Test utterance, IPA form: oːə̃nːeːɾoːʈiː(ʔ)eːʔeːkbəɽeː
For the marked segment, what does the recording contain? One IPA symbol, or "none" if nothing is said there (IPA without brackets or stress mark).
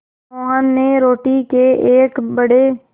k